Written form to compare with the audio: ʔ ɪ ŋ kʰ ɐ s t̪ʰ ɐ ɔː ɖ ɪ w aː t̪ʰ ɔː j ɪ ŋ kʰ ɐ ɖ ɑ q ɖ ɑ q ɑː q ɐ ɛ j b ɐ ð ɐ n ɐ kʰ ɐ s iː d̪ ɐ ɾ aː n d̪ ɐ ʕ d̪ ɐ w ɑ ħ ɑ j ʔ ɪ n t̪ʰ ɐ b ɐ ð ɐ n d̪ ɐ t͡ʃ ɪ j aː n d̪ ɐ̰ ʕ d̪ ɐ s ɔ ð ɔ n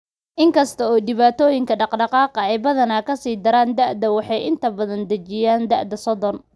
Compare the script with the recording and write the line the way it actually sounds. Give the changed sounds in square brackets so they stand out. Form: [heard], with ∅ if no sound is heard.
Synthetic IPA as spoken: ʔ ɪ ŋ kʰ ɐ s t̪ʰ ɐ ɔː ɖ ɪ [β] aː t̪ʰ ɔː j ɪ ŋ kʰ ɐ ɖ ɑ q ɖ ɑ q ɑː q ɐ ɛ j b ɐ ð ɐ n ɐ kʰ ɐ s iː d̪ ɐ ɾ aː n d̪ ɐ ʕ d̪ ɐ w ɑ ħ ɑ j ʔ ɪ n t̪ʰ ɐ b ɐ ð ɐ n d̪ ɐ t͡ʃ ɪ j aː n d̪ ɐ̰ ʕ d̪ ɐ s ɔ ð ɔ n